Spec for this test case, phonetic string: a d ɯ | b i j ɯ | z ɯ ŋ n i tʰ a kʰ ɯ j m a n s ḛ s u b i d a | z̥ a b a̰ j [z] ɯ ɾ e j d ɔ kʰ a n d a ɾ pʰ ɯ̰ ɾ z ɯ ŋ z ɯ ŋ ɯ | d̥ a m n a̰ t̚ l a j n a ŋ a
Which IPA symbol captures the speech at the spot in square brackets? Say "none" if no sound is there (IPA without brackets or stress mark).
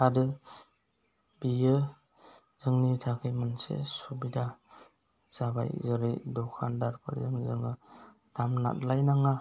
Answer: z